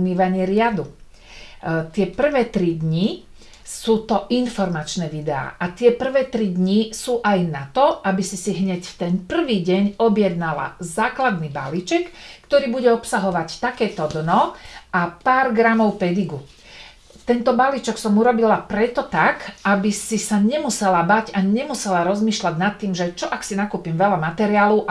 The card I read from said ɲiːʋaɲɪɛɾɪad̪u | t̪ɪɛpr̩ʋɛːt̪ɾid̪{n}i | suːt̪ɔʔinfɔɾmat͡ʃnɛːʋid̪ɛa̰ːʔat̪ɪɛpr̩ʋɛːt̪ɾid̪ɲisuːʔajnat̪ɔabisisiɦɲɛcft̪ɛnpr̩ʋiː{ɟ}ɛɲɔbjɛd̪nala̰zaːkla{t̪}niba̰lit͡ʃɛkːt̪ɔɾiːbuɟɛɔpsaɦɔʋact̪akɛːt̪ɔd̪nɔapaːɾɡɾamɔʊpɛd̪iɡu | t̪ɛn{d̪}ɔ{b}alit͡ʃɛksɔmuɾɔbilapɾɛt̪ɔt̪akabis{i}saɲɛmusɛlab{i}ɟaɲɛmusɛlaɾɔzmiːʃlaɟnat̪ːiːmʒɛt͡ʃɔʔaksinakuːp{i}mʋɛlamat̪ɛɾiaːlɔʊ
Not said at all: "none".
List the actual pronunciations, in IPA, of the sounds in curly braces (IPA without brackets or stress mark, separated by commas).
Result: ɲ, ɟ, d̪, t̪, b, i, a, i